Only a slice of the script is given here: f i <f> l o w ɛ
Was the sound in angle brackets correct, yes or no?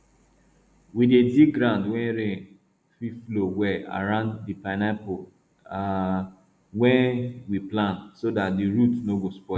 yes